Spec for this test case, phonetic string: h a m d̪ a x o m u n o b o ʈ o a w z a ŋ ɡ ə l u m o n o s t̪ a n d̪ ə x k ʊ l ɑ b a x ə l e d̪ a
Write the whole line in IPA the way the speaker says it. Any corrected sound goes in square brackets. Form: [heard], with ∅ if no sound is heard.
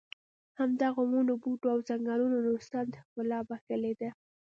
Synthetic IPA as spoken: h a m d̪ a [ɣ] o m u n o b [u] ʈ o a w z a ŋ ɡ [ɑ] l u [n] o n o s t̪ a n d̪ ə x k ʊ l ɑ b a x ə l e d̪ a

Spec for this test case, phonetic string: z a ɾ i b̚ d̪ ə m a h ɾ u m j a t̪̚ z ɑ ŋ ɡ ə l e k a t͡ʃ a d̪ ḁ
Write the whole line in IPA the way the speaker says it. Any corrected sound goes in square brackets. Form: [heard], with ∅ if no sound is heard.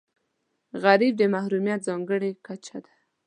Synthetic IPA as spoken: [ɣ] a ɾ i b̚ d̪ ə m a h ɾ u m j a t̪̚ z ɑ ŋ ɡ ə [ɽ] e k a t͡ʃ a d̪ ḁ

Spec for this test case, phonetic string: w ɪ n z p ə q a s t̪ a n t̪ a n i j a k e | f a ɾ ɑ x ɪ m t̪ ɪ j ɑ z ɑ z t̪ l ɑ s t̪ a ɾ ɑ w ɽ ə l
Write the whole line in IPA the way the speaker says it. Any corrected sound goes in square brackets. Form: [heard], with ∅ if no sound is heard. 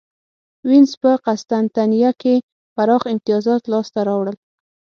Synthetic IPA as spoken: w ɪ n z p ə q a s t̪ a n t̪ a n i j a k e | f a ɾ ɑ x ɪ m t̪ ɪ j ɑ z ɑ [∅] t̪ l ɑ s t̪ a ɾ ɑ w ɽ ə l

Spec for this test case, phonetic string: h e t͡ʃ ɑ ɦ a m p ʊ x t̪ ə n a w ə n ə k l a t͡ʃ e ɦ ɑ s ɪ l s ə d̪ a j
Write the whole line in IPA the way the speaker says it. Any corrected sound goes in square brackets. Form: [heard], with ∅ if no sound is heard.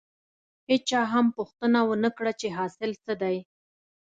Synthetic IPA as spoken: h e t͡ʃ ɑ ɦ a m p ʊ x t̪ ə n a w ə n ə k [ɽ] a t͡ʃ e ɦ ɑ s ɪ l s ə d̪ a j

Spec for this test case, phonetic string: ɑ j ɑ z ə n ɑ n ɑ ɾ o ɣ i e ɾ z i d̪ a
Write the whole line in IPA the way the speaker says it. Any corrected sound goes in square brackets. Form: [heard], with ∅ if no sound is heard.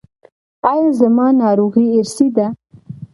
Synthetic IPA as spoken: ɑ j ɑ z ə [m] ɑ n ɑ ɾ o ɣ i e ɾ [s] i d̪ a

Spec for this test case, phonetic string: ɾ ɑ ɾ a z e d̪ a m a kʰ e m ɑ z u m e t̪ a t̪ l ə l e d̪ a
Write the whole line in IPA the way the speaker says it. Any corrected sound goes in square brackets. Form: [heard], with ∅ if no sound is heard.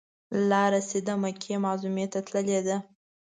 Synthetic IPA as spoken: [l] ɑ ɾ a [s] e d̪ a m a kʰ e m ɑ z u m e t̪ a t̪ l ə l e d̪ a

